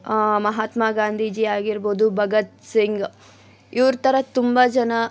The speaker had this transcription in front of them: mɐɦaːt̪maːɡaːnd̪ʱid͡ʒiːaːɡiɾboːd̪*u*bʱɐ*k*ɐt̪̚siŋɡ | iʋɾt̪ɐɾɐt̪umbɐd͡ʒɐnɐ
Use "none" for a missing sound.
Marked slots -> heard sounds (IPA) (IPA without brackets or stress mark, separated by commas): u, ɡ